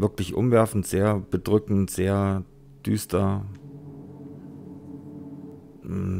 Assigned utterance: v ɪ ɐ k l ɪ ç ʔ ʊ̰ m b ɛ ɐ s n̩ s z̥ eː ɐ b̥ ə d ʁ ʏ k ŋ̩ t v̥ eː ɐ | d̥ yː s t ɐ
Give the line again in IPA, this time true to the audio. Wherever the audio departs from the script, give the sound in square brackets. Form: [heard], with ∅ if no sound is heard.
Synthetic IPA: v ɪ ɐ k l ɪ ç ʔ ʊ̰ m [v] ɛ ɐ [f] n̩ [t] z̥ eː ɐ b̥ ə d ʁ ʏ k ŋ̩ t [z̥] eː ɐ | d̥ yː s t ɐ